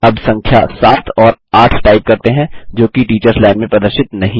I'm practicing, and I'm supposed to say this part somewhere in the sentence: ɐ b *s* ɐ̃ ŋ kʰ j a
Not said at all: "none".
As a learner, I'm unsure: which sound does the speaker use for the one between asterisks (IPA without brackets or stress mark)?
s